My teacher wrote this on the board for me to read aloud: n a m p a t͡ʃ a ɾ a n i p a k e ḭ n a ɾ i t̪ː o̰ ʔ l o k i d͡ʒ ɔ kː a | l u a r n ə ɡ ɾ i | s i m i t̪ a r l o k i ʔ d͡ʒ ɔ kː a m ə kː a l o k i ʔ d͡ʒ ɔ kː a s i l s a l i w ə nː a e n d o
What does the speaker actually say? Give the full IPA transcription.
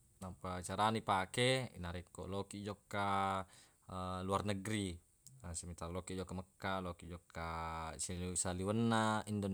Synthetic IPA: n a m p a t͡ʃ a ɾ a n i p a k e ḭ n a ɾ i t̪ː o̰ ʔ l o k i d͡ʒ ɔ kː a | l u a r n ə ɡ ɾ i | s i m i t̪ a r l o k i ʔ d͡ʒ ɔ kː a m ə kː a l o k i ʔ d͡ʒ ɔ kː a s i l s a l i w ə nː a i n d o